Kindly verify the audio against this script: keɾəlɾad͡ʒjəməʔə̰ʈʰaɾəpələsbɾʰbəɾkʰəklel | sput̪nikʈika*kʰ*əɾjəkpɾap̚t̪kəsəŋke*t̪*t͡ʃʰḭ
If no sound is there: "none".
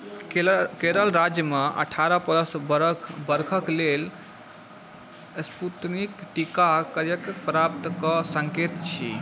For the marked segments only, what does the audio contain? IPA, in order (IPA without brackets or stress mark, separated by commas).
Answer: k, t̪